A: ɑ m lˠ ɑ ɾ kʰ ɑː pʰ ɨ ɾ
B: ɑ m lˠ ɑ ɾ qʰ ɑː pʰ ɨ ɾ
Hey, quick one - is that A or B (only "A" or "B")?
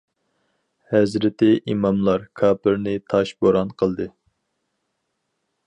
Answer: A